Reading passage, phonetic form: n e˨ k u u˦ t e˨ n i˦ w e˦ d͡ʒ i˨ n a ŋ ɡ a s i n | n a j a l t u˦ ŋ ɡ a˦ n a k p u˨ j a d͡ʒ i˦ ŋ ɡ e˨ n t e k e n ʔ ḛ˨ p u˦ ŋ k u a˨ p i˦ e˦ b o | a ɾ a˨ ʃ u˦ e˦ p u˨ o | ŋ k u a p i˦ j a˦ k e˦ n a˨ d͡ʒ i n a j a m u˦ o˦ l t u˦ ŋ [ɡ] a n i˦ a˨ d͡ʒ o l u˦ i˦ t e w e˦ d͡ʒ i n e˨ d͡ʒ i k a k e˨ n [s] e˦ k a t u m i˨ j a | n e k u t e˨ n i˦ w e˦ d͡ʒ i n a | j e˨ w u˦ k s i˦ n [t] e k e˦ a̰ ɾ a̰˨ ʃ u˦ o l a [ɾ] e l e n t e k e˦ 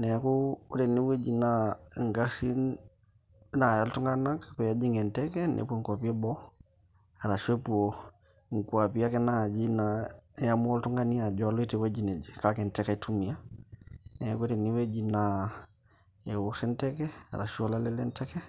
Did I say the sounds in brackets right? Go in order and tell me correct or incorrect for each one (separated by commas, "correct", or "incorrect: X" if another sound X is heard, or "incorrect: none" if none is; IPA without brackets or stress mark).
correct, incorrect: t, correct, incorrect: l